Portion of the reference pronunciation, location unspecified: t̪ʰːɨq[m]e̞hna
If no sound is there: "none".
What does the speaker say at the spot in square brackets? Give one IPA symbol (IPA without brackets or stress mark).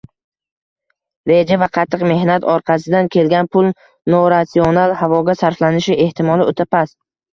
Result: m